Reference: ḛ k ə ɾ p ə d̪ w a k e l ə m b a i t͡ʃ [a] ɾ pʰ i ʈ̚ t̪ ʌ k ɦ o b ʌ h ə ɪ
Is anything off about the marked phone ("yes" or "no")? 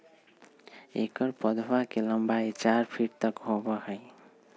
no